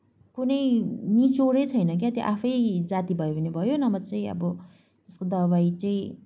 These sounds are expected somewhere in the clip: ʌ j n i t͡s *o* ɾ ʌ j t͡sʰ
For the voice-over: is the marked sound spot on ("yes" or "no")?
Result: yes